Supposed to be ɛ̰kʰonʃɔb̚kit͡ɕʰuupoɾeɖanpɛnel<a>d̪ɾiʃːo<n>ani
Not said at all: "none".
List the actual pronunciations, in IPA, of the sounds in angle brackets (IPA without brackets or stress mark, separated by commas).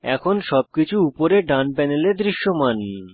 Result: e, m